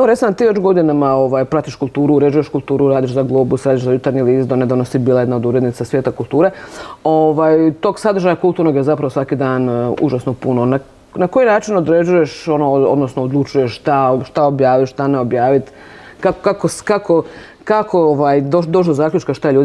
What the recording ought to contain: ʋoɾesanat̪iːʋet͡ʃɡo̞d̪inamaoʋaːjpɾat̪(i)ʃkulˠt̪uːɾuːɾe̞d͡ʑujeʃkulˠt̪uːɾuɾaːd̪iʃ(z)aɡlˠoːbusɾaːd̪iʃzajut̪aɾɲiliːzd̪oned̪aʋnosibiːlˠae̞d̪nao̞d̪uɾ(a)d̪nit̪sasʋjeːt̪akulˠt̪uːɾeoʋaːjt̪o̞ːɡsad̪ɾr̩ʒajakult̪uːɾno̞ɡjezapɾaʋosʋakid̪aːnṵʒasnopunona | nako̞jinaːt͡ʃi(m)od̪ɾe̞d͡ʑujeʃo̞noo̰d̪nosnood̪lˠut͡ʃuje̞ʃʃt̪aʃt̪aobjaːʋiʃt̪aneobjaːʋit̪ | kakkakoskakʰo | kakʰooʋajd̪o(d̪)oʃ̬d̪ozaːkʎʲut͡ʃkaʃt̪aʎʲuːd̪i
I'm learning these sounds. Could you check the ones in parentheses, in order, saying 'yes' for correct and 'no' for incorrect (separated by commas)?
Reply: yes, yes, no, no, yes